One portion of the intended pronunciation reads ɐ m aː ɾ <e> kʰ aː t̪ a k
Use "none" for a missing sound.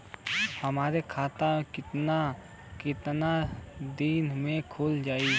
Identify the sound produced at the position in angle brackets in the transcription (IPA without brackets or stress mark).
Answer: e